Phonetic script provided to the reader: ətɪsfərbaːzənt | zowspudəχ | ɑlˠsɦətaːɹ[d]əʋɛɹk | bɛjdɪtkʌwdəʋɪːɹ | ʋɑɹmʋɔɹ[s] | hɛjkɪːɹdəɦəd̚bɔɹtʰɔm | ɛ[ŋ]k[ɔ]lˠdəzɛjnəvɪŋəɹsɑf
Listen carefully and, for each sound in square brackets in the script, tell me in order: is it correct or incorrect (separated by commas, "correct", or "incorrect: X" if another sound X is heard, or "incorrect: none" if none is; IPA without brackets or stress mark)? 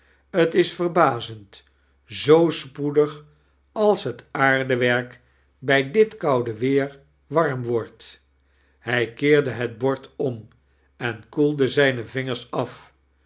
correct, incorrect: t, incorrect: n, incorrect: u